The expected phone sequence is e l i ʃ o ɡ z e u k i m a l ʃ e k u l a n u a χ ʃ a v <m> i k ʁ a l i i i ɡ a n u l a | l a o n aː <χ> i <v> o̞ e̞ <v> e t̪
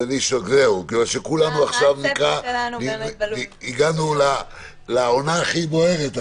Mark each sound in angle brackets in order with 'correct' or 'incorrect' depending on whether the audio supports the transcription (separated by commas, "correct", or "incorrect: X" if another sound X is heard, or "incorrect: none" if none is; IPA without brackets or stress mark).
incorrect: n, correct, incorrect: b, incorrect: ʁ